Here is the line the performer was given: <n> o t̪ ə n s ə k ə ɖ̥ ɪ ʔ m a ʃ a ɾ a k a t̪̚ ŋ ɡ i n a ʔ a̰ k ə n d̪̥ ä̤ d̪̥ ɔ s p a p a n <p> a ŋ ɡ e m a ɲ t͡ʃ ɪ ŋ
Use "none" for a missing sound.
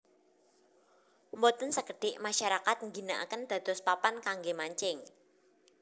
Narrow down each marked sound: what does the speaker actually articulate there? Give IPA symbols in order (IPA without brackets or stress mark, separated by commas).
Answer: m, k